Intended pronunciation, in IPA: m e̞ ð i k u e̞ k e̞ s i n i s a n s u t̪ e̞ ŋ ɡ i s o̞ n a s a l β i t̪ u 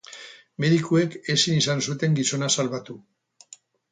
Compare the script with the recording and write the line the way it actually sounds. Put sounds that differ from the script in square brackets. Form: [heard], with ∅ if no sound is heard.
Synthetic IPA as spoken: m e̞ ð i k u e̞ k e̞ s i n i s a n s u t̪ e̞ ŋ ɡ i s o̞ n a s a l β [a] t̪ u